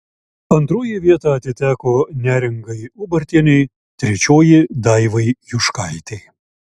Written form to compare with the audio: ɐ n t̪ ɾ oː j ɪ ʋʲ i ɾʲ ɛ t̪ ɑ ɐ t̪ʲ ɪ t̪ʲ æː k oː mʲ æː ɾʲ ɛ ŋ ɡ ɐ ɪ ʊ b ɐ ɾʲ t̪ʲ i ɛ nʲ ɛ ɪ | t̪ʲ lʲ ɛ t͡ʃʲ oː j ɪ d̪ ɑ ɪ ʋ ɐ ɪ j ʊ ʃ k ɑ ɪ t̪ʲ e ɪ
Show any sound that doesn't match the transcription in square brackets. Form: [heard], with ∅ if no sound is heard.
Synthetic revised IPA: ɐ n t̪ ɾ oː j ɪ ʋʲ i [∅] ɛ t̪ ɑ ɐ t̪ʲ ɪ t̪ʲ æː k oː [nʲ] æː ɾʲ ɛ ŋ ɡ ɐ ɪ ʊ b ɐ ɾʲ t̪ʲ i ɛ nʲ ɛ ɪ | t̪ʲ [ɾʲ] ɛ t͡ʃʲ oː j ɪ d̪ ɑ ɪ ʋ ɐ ɪ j ʊ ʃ k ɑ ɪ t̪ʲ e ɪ